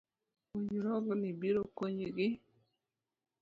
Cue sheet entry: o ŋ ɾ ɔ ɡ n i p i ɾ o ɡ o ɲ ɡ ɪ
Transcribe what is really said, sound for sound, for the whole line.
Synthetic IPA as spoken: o ɲ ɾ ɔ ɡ n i b i ɾ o k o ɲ ɡ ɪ